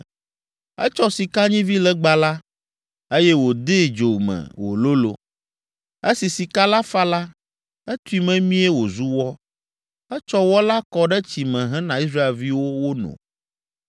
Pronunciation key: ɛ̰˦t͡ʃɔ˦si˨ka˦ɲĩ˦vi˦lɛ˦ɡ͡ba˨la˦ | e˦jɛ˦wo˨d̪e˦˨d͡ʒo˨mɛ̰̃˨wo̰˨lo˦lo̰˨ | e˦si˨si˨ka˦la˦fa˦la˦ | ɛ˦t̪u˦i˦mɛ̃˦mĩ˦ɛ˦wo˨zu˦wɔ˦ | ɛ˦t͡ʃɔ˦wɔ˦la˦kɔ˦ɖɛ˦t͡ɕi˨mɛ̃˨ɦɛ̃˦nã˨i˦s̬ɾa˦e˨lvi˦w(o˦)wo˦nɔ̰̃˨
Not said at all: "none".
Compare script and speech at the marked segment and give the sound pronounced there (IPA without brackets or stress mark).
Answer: o˦